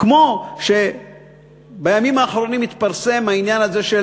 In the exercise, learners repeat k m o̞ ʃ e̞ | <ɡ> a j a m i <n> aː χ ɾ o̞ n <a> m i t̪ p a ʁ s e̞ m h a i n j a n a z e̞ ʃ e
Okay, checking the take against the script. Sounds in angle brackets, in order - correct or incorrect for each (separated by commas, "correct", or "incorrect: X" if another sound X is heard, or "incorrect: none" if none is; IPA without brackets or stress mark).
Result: incorrect: b, incorrect: m, incorrect: i